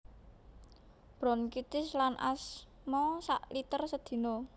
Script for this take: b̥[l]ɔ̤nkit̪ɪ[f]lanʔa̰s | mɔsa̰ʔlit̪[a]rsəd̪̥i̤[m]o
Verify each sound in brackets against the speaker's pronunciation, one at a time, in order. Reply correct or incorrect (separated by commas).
incorrect, incorrect, incorrect, incorrect